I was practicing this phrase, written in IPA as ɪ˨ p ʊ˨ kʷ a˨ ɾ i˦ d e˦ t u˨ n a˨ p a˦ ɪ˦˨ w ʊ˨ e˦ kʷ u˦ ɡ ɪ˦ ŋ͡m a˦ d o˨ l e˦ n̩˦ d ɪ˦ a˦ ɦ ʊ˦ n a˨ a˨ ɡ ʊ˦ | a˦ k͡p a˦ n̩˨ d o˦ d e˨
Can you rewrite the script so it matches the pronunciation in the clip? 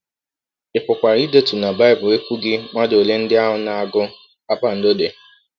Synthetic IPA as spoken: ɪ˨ p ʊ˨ kʷ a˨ ɾ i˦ d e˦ t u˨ n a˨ b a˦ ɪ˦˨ b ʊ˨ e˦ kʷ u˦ ɡ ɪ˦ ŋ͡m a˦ d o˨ l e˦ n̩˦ d ɪ˦ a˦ ɦ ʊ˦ n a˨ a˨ ɡ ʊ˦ | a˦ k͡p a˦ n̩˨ d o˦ d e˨